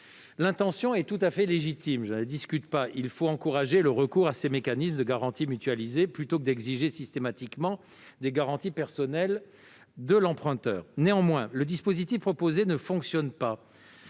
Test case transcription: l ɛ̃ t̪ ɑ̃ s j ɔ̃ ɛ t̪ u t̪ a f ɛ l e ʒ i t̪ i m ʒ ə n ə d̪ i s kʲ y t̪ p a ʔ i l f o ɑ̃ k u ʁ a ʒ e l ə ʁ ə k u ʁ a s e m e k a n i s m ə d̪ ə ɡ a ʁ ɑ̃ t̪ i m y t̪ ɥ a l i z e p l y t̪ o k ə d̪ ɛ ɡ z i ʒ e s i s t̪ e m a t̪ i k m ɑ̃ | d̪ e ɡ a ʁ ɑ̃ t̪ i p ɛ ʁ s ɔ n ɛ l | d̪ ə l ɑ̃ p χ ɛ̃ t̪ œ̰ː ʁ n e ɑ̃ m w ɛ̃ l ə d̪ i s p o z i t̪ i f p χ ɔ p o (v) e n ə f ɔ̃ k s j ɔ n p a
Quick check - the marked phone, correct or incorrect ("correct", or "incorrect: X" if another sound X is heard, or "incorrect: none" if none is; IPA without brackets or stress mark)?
incorrect: z